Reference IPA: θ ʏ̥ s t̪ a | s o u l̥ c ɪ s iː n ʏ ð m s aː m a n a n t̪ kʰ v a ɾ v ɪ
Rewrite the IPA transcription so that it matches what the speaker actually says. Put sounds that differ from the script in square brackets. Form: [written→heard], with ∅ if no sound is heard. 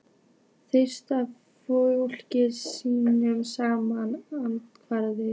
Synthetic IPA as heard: θ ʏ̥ s t̪ a | [s→f] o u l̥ c ɪ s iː n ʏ [ð→∅] m s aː m a n a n t̪ kʰ v a ɾ [v→ð] ɪ